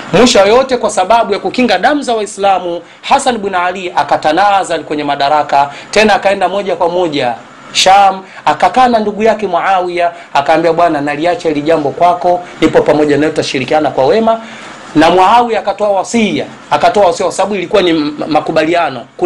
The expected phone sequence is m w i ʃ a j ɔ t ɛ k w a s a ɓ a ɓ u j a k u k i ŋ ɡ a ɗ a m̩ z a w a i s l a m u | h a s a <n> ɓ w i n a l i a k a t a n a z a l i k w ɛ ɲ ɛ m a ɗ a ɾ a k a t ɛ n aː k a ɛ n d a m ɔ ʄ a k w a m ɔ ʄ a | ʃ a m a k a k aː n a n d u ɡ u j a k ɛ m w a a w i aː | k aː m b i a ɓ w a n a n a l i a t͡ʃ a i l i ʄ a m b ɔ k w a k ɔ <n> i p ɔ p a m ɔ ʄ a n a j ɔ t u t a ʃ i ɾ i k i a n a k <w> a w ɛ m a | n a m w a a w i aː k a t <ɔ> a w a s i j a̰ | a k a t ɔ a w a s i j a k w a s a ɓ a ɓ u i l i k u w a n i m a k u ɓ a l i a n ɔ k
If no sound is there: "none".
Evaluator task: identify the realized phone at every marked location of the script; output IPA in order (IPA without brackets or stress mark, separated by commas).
n, n, w, ɔ